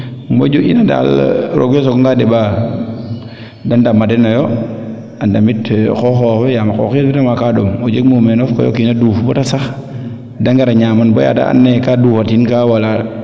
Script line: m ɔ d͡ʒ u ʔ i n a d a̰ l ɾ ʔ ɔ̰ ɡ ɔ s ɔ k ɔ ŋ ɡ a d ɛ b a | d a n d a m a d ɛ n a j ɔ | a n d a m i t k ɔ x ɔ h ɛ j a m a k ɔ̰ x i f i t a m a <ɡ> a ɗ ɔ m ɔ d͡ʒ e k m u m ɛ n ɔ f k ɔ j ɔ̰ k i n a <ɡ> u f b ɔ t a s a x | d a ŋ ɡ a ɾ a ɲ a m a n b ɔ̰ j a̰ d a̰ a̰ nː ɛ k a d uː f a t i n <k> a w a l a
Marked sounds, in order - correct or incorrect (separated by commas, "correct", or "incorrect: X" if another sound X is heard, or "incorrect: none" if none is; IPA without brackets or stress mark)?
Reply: incorrect: k, incorrect: d, correct